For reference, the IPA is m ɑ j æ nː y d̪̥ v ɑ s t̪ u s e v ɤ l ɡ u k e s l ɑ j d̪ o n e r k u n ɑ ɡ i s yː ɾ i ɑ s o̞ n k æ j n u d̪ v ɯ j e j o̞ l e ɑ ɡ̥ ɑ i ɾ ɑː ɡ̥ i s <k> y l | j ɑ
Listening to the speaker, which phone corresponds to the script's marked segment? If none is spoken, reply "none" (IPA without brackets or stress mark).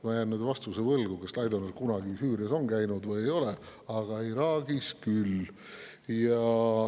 k